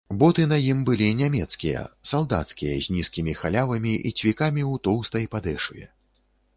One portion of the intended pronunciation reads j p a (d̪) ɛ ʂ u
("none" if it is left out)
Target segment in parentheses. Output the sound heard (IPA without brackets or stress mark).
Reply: d̪